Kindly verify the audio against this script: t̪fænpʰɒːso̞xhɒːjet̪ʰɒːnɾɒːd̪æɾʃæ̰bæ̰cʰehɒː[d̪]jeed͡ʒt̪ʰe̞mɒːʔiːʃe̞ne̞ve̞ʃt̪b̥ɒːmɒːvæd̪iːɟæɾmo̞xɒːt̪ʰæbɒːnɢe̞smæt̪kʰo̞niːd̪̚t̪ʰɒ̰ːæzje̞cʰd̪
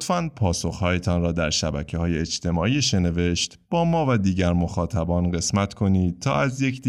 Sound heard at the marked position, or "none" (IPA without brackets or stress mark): none